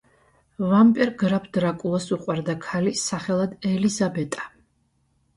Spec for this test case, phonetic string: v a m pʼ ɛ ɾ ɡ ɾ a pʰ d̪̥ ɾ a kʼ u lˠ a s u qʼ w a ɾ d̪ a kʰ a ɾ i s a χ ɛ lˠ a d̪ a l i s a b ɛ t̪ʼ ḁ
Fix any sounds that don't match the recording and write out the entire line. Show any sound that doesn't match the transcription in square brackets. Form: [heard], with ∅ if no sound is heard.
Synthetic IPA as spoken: v a m pʼ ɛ ɾ ɡ ɾ a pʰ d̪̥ ɾ a kʼ u lˠ a s u qʼ w a ɾ d̪ a kʰ a [l] i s a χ ɛ lˠ a d̪ [ɛ] l i [z] a b ɛ t̪ʼ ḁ